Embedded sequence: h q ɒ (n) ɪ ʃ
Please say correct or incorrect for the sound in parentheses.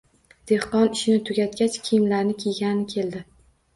correct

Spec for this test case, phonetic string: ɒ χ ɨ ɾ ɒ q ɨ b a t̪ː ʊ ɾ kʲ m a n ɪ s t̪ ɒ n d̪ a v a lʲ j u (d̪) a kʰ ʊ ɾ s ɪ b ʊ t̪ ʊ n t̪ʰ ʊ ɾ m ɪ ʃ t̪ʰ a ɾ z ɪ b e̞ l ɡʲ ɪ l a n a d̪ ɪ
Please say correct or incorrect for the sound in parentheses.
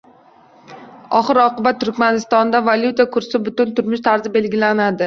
incorrect: t̪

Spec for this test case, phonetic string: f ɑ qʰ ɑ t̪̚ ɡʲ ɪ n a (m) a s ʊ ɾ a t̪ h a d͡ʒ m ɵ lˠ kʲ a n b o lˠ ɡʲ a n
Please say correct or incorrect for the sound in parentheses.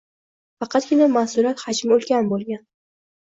correct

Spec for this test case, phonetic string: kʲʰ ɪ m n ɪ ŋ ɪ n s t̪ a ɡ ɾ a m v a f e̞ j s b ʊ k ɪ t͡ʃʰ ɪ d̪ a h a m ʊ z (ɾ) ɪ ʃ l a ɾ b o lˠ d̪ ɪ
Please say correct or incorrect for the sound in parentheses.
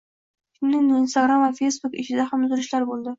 correct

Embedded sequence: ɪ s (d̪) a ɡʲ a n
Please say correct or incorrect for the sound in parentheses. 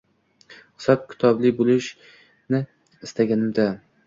incorrect: t̪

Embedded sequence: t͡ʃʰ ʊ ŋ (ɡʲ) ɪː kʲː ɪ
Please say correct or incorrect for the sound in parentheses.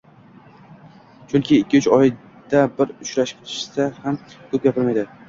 incorrect: kʲ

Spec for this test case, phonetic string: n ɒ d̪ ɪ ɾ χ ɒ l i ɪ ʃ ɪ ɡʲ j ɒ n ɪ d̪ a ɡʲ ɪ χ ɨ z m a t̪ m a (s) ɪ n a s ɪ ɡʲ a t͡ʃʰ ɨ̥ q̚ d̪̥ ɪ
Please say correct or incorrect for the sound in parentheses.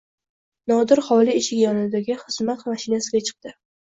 incorrect: ʃ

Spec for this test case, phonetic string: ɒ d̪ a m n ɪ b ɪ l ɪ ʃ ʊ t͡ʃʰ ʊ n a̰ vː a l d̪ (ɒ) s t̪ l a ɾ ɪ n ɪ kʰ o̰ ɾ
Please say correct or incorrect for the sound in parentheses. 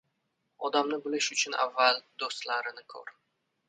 incorrect: o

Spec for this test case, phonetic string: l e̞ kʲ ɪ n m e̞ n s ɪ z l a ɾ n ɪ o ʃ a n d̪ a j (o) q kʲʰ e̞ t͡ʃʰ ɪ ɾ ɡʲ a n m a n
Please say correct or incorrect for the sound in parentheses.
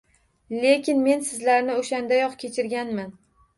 incorrect: ɒ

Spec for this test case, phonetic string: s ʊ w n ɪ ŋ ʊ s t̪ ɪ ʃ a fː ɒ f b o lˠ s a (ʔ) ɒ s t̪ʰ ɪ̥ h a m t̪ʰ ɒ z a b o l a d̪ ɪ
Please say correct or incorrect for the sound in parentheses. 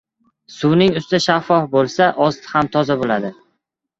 correct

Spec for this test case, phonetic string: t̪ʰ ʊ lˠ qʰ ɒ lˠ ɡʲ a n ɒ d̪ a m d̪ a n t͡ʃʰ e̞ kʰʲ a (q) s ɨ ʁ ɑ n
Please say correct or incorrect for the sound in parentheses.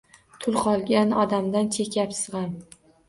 incorrect: p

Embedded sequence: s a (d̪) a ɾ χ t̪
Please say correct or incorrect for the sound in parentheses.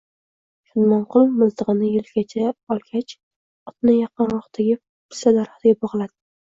correct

